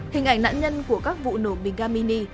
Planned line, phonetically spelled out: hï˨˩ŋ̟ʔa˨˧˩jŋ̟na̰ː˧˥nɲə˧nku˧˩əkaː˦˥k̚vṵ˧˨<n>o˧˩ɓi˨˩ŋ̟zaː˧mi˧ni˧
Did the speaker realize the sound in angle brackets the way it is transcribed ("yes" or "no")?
yes